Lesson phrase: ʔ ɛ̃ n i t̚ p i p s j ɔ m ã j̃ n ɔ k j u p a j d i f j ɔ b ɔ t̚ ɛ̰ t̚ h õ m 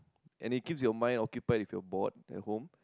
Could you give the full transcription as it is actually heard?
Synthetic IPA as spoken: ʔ ɛ̃ n i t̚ k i p s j ɔ m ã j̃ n ɔ k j u p a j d i f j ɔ b ɔ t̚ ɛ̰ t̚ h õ m